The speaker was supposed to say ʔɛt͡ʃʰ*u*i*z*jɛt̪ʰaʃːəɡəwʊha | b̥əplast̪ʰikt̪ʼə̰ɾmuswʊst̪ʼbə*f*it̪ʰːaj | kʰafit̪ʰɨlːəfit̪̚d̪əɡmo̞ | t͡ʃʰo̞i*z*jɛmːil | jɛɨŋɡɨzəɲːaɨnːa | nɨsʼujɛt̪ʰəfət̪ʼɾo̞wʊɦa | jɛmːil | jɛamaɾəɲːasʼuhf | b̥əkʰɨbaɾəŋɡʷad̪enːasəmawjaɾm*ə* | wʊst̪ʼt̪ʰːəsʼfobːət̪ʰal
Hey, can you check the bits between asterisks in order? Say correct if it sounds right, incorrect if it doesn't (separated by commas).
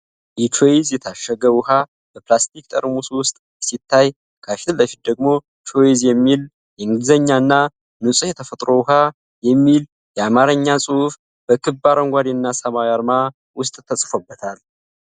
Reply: incorrect, correct, incorrect, correct, incorrect